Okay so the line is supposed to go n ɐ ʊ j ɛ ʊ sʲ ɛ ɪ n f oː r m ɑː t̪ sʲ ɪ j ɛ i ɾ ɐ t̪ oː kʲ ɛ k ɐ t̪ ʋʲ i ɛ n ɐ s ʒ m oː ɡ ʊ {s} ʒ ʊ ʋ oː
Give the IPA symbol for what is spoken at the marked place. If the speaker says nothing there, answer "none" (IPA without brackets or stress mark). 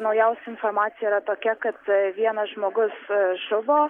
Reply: s